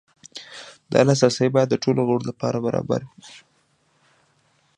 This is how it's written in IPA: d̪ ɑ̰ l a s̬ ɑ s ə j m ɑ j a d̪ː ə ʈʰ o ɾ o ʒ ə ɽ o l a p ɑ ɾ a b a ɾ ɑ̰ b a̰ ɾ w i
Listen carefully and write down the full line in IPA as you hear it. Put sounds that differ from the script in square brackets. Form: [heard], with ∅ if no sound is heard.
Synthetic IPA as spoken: d̪ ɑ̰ l a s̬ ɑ s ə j [b] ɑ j a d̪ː ə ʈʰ o [l] o [ɣ] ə ɽ o l a p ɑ ɾ a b a ɾ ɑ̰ b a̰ ɾ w i